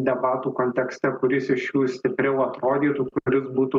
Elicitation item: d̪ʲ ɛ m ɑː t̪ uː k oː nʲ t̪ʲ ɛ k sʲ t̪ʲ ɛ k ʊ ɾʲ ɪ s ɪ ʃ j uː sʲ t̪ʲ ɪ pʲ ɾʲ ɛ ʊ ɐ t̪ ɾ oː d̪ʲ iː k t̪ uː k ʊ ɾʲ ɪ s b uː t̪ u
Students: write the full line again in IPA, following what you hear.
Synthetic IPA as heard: d̪ʲ ɛ b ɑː t̪ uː k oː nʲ t̪ʲ ɛ k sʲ t̪ʲ ɛ k ʊ ɾʲ ɪ s ɪ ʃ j uː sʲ t̪ʲ ɪ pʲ ɾʲ ɛ ʊ ɐ t̪ ɾ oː d̪ʲ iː t̪ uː k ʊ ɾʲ ɪ s b uː t̪ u